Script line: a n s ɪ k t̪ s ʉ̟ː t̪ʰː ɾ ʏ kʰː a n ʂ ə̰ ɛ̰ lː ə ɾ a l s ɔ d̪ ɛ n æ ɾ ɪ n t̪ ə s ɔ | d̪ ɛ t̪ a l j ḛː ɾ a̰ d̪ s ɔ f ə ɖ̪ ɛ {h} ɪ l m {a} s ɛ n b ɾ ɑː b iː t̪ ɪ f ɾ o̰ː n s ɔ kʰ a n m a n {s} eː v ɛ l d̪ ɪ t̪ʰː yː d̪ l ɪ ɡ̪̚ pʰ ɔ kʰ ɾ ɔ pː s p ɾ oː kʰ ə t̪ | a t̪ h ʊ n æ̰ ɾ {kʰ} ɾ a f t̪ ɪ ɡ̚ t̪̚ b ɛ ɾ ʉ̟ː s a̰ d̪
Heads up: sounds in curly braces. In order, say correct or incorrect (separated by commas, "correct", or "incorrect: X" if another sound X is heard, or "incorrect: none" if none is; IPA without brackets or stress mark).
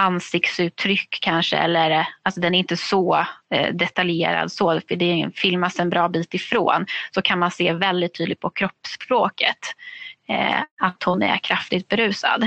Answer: incorrect: f, correct, correct, correct